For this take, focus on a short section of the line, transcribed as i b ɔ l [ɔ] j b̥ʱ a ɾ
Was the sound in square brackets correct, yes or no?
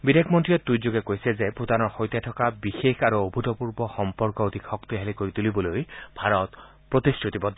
no